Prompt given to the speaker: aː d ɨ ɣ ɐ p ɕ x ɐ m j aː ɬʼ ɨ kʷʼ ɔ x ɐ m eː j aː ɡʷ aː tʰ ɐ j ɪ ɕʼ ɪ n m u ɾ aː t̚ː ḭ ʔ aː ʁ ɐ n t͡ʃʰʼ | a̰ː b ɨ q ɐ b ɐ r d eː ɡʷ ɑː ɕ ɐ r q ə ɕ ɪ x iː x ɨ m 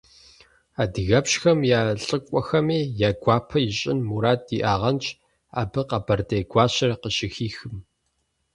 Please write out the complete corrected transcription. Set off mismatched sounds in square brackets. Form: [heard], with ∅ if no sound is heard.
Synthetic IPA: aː d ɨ ɣ ɐ p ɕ x ɐ m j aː ɬʼ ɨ kʷʼ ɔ x ɐ m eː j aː ɡʷ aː [pʰ] ɐ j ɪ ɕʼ ɪ n m u ɾ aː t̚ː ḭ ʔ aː ʁ ɐ n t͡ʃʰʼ | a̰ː b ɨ q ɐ b ɐ r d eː ɡʷ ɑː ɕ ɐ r q ə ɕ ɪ x iː x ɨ m